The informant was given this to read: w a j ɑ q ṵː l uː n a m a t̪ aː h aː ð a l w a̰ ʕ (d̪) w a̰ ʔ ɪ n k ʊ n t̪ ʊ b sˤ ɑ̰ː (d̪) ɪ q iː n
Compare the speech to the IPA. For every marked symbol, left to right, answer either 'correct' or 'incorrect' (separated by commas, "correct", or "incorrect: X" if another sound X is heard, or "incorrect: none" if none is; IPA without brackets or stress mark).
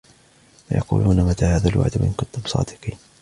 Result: correct, correct